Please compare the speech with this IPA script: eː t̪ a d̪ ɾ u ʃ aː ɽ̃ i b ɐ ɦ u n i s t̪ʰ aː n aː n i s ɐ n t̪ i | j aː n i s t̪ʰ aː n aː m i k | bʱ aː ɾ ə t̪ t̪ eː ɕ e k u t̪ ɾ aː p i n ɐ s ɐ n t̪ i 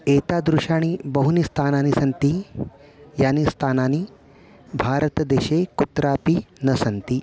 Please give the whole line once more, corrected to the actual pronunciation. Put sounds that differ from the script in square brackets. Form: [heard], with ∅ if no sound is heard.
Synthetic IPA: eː t̪ a d̪ ɾ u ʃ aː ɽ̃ i b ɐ ɦ u n i s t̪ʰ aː n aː n i s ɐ n t̪ i | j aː n i s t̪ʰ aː n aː [n] i [∅] | bʱ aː ɾ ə t̪ [d̪] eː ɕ e k u t̪ ɾ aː p i n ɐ s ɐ n t̪ i

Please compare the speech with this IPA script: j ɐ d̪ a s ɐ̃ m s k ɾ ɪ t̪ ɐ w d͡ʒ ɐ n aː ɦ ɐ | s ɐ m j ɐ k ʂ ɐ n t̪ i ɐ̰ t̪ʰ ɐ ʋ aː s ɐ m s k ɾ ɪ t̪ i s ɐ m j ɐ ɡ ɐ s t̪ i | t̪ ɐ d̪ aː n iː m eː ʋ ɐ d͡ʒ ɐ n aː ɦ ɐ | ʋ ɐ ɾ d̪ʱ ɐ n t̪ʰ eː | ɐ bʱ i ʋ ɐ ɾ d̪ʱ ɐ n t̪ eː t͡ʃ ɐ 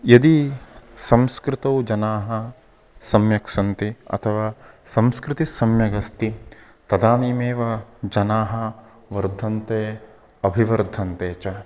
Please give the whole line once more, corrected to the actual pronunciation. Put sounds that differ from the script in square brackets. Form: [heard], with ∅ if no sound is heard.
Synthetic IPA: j ɐ d̪ [i] s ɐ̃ m s k ɾ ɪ t̪ ɐ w d͡ʒ ɐ n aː ɦ ɐ | s ɐ m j ɐ k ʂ ɐ n t̪ i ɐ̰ t̪ʰ ɐ ʋ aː s ɐ m s k ɾ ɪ t̪ i s ɐ m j ɐ ɡ ɐ s t̪ i | t̪ ɐ d̪ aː n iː m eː ʋ ɐ d͡ʒ ɐ n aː ɦ ɐ | ʋ ɐ ɾ d̪ʱ ɐ n [t̪] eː | ɐ bʱ i ʋ ɐ ɾ d̪ʱ ɐ n t̪ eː t͡ʃ ɐ

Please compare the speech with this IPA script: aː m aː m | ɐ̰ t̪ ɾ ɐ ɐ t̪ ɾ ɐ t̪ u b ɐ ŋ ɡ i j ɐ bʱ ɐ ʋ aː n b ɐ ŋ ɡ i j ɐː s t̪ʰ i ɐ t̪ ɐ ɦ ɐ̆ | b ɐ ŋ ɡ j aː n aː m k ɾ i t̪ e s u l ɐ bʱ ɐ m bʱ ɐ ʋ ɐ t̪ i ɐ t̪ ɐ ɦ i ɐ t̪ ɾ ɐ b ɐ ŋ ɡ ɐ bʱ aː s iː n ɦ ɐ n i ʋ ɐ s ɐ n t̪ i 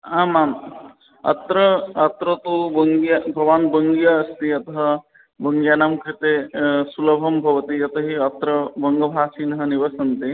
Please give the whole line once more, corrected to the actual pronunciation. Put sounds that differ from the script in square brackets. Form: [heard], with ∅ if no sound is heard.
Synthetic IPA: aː m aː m | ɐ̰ t̪ ɾ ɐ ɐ t̪ ɾ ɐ t̪ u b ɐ ŋ ɡ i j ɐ bʱ ɐ ʋ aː n b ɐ ŋ ɡ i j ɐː s [t̪] i ɐ t̪ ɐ ɦ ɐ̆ | b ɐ ŋ ɡ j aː n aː m k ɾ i t̪ e s u l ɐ bʱ ɐ m bʱ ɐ ʋ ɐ t̪ i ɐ t̪ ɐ ɦ i ɐ t̪ ɾ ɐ b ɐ ŋ ɡ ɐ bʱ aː s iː n ɦ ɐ n i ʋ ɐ s ɐ n t̪ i

